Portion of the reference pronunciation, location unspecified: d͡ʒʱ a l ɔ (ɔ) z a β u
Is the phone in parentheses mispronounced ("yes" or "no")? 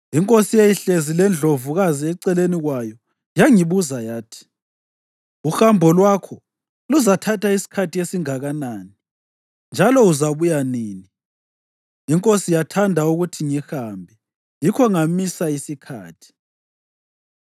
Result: yes